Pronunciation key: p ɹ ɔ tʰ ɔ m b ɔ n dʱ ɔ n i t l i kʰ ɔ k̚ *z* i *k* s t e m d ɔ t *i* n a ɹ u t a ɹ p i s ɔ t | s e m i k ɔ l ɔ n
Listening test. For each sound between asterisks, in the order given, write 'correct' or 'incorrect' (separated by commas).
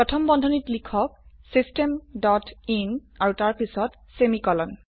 incorrect, incorrect, correct